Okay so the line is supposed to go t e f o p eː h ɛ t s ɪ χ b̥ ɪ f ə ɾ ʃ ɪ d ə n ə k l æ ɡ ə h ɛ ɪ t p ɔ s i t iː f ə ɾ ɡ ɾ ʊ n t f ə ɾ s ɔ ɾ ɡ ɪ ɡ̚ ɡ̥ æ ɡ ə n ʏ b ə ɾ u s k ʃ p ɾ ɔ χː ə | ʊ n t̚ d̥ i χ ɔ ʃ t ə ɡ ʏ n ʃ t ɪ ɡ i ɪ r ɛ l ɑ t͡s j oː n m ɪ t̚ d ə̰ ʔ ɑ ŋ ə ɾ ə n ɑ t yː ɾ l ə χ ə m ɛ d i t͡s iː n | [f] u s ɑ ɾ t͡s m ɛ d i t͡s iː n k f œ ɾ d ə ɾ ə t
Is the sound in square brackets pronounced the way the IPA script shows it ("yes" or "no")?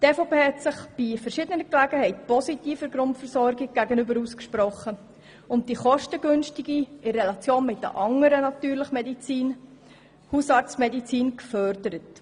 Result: no